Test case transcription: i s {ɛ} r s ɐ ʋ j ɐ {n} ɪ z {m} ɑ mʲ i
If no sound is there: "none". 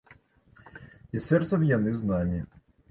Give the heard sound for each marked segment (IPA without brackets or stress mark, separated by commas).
ɛ, n, n